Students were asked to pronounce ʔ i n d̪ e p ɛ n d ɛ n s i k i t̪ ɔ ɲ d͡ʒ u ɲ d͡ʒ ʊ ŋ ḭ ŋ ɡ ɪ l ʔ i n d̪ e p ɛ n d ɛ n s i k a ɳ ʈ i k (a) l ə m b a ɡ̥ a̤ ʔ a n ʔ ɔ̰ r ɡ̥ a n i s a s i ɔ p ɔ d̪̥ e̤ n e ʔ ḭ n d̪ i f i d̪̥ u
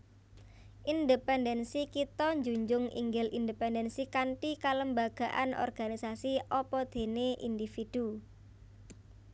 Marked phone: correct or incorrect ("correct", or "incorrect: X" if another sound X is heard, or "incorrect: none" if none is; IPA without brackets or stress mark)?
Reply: correct